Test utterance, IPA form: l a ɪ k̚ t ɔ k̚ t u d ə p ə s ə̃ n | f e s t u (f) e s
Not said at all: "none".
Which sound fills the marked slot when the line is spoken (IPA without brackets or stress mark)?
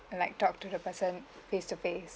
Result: f